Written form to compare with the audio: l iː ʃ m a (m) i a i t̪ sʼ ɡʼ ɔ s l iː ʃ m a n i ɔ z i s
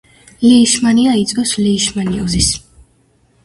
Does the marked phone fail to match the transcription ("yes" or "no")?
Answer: yes